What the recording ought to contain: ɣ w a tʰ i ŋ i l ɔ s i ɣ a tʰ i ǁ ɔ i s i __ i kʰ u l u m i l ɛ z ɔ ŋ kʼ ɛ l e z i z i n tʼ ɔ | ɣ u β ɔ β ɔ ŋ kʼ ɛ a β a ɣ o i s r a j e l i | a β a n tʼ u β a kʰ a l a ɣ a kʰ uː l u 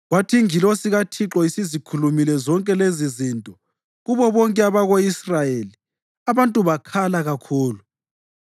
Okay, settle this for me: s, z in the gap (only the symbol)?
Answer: z